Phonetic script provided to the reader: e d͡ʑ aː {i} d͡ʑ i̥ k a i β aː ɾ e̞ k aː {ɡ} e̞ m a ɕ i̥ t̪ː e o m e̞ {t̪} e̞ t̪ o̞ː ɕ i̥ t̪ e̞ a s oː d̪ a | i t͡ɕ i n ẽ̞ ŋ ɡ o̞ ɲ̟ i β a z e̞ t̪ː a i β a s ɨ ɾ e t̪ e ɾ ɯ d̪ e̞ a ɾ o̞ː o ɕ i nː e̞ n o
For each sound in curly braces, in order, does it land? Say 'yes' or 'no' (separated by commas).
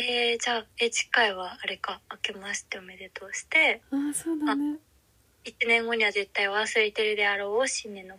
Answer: no, no, no